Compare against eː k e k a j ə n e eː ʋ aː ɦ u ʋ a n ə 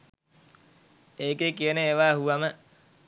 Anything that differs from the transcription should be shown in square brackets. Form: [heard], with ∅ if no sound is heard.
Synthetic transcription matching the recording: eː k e k [i] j ə n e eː ʋ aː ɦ u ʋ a [m] ə